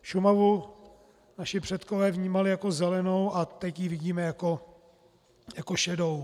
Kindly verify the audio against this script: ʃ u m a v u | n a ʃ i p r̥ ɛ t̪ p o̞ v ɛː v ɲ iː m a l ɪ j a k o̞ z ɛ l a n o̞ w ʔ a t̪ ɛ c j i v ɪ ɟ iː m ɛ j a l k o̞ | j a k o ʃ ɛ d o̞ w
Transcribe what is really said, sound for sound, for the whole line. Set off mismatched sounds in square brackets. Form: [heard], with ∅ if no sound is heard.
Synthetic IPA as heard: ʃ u m a v u | n a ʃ [ɪ] p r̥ ɛ t̪ [k] o̞ v ɛː v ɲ iː m a l ɪ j a k o̞ z ɛ l [ɛ] n o̞ w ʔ a t̪ ɛ c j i v ɪ ɟ iː m ɛ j a [∅] k o̞ | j a k o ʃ ɛ d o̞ w